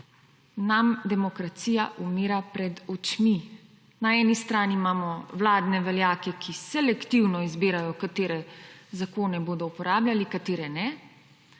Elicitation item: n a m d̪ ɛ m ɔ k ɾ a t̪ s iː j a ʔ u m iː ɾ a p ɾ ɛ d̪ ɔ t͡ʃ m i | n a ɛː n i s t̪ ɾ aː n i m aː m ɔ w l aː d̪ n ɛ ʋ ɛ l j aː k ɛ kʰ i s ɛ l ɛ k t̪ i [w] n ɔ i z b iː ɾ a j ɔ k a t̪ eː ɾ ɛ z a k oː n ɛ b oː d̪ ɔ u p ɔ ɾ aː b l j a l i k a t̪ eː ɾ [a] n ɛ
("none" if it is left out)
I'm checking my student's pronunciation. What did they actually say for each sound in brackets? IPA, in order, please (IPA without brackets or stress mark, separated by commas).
w, ɛ